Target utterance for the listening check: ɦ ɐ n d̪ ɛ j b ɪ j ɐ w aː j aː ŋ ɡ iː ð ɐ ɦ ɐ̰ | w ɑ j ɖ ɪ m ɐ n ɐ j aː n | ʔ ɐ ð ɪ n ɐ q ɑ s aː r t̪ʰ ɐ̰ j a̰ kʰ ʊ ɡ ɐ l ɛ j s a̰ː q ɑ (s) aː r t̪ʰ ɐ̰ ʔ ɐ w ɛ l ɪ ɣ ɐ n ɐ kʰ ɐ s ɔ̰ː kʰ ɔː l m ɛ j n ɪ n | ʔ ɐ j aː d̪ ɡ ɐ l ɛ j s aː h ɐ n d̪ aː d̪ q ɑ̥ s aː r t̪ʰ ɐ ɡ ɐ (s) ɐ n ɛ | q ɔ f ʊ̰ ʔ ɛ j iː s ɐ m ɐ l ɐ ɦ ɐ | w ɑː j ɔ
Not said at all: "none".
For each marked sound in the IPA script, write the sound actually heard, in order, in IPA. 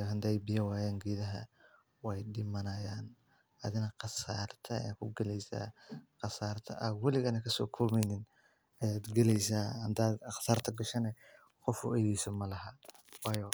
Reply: s, ʃ

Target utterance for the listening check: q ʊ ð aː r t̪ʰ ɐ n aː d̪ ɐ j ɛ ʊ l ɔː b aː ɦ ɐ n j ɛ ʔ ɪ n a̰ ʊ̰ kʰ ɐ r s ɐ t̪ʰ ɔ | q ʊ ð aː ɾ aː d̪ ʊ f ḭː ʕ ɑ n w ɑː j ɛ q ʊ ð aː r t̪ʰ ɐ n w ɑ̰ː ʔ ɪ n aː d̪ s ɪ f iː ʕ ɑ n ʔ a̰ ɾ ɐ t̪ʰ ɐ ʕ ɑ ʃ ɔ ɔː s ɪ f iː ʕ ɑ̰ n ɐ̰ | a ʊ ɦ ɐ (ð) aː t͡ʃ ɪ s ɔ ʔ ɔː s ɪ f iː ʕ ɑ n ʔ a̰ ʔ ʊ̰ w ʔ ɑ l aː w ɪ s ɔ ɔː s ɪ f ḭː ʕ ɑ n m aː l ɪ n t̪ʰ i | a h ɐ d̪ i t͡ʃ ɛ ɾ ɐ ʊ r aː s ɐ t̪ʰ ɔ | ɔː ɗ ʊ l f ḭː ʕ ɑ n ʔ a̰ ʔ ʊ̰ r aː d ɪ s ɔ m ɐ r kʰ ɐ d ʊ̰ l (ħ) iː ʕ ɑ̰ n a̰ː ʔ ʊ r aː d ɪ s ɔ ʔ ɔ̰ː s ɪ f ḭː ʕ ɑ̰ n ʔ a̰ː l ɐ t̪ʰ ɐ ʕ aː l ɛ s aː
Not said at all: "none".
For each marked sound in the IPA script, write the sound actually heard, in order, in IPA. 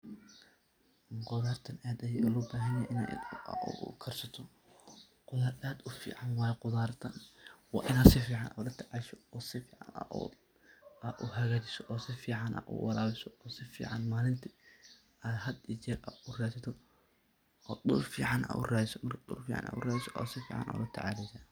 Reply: ɣ, f

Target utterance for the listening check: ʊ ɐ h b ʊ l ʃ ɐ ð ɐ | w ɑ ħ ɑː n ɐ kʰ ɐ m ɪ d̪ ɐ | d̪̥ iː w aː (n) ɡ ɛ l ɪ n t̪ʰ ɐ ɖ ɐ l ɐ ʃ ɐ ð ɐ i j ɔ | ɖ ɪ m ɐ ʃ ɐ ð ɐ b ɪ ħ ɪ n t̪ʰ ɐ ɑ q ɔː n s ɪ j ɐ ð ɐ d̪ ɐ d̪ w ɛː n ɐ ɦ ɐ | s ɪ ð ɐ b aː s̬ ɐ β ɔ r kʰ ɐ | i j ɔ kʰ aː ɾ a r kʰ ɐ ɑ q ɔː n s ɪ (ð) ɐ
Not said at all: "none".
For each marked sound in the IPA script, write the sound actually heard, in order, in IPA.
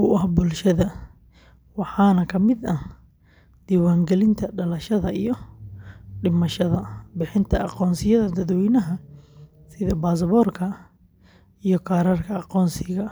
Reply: ŋ, ɣ

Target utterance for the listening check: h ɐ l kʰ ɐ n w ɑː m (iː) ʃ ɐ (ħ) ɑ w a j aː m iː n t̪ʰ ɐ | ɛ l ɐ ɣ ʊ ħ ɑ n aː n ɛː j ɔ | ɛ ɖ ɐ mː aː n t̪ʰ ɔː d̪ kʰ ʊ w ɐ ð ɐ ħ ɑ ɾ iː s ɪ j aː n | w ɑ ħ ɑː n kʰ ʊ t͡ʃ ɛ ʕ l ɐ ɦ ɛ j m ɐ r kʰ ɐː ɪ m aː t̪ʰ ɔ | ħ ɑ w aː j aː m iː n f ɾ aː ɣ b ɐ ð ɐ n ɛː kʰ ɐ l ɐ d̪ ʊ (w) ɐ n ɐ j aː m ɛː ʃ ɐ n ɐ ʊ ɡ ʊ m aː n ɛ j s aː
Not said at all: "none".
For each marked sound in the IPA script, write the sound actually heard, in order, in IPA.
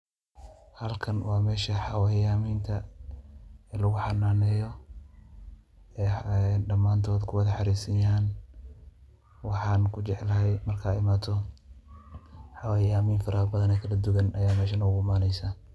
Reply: ɛː, ħ, ɣ

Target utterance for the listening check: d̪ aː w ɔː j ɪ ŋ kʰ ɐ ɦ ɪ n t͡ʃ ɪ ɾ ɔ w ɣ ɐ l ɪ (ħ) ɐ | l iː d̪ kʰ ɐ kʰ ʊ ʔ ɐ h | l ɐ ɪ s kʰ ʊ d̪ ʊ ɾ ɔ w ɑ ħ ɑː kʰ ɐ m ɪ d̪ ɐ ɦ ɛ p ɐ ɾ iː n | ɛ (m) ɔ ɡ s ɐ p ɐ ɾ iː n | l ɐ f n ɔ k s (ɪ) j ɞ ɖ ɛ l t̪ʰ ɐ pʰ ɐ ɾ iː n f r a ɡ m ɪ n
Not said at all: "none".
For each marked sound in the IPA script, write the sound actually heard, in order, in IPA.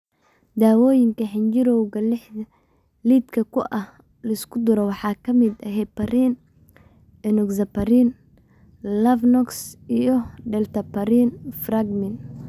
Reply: ħ, n, i

